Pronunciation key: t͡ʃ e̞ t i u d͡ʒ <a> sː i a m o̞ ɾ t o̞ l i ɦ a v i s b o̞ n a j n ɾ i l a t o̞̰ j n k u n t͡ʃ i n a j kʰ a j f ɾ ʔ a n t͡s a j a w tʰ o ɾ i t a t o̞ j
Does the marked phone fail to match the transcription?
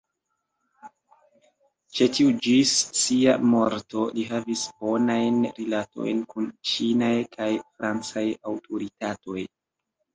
yes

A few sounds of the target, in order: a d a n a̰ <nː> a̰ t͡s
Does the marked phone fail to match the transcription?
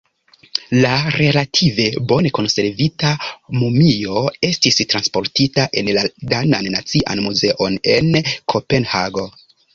no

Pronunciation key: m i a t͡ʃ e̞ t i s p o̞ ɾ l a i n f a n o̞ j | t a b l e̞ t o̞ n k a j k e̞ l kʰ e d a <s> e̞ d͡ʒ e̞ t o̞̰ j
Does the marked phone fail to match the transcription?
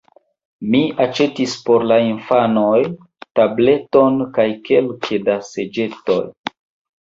no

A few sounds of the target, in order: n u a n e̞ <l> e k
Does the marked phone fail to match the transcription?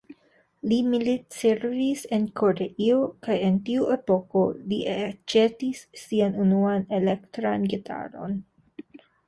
no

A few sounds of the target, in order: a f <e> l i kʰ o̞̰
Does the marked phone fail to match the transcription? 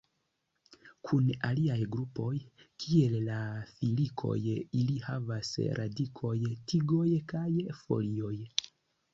yes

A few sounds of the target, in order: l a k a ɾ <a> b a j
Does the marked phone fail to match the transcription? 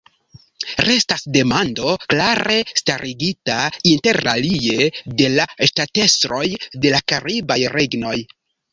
yes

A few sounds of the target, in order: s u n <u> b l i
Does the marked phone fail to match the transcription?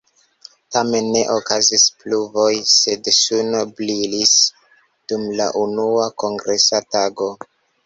yes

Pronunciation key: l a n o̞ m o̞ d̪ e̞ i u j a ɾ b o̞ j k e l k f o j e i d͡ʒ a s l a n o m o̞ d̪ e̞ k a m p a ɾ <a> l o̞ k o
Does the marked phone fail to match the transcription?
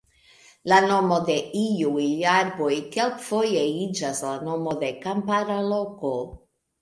no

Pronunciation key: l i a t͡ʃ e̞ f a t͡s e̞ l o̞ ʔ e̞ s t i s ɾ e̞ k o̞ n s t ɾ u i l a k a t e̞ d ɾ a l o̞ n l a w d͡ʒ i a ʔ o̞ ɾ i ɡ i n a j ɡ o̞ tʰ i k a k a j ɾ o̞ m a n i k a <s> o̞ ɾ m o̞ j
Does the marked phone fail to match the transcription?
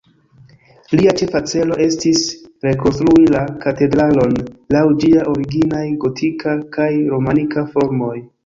yes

